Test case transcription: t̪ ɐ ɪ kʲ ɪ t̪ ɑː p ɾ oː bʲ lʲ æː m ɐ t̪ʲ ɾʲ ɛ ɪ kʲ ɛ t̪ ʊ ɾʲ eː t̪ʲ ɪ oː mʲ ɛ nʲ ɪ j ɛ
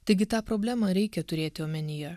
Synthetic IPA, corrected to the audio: t̪ ɐ ɪ ɡʲ ɪ t̪ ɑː p ɾ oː bʲ lʲ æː m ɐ ɾʲ ɛ ɪ kʲ ɛ t̪ ʊ ɾʲ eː t̪ʲ ɪ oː mʲ ɛ nʲ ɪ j ɛ